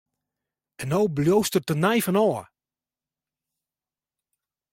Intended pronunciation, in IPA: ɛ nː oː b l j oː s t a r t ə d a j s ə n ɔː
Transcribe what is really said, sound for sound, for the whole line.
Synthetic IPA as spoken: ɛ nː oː b l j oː s t ə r t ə n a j f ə n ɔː